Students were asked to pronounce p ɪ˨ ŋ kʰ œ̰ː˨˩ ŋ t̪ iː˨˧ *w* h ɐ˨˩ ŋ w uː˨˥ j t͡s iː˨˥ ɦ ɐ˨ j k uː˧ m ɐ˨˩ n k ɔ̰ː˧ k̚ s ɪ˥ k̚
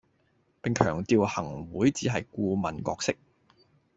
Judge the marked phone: correct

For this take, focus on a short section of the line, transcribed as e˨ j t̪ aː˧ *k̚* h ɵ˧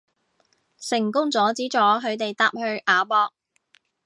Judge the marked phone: incorrect: p̚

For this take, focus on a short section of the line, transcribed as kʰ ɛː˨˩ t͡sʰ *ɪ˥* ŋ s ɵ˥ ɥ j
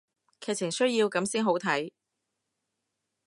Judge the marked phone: incorrect: ɪ˨˩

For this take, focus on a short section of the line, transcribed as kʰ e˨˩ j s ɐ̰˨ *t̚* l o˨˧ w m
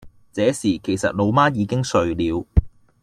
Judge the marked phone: correct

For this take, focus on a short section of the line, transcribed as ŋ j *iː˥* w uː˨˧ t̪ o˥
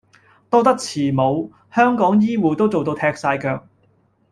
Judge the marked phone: correct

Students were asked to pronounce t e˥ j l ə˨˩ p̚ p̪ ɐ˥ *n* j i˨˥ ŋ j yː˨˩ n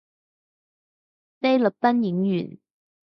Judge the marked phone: correct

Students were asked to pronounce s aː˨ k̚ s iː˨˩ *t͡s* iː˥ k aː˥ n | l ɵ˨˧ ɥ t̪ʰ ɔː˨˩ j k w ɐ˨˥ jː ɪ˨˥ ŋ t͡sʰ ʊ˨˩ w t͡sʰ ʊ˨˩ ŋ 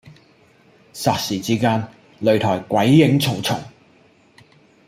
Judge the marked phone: correct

